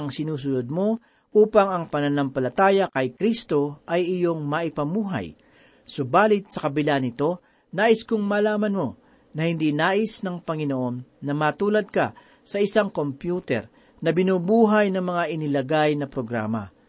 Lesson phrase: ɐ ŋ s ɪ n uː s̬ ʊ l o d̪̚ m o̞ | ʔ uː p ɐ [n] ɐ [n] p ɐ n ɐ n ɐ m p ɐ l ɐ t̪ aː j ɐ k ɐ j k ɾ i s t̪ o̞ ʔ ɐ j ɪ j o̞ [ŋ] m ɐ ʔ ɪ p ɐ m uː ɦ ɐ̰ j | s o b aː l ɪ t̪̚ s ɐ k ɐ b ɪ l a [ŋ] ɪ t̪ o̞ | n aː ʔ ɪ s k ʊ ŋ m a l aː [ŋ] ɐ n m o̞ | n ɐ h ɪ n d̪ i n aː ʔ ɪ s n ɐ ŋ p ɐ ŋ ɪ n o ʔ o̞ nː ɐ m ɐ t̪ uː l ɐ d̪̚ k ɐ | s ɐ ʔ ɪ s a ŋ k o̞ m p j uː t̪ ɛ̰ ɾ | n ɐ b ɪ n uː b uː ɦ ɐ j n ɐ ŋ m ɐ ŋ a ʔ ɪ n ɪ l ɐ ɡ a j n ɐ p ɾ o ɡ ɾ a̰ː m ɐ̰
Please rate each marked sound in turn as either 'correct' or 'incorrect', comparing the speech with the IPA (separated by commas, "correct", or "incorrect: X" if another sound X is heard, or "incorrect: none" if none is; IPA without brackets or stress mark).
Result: incorrect: ŋ, incorrect: ŋ, correct, incorrect: n, incorrect: m